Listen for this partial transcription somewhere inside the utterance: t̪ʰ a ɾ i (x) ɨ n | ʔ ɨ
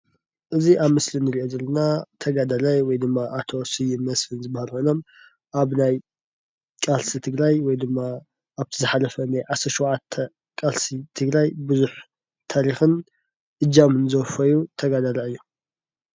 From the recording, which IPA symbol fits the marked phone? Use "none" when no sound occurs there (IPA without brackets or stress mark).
x